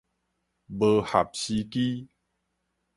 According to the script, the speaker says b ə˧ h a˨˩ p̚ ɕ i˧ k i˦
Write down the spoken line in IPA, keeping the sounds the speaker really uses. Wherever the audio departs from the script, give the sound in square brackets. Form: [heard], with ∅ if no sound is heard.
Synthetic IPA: b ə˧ h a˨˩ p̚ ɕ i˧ k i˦